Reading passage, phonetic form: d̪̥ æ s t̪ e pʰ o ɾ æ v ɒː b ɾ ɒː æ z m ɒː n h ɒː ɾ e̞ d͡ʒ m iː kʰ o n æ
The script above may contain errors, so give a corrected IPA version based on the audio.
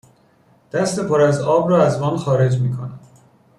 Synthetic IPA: d̪̥ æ s t̪ e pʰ o ɾ æ z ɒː b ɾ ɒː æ z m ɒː n x ɒː ɾ e̞ d͡ʒ m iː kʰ o n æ